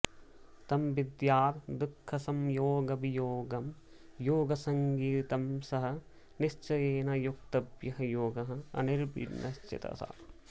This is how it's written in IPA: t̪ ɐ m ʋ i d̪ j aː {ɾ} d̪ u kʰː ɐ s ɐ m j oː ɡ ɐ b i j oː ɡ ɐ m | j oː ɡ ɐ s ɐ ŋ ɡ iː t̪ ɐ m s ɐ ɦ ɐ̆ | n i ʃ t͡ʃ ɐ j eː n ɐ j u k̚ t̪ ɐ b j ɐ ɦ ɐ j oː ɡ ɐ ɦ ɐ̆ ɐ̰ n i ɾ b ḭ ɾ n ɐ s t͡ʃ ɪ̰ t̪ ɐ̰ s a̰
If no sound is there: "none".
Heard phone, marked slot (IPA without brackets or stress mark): ɾ